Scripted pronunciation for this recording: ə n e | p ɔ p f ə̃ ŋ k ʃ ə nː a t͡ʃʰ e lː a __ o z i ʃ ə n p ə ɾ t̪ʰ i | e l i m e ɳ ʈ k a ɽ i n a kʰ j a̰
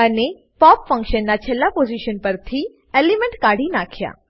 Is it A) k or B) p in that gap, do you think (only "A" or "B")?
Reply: B